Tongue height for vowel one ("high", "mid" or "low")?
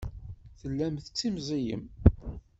mid